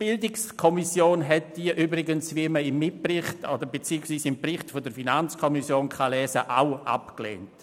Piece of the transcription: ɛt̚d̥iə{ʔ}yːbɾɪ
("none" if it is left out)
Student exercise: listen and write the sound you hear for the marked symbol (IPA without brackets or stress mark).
ʔ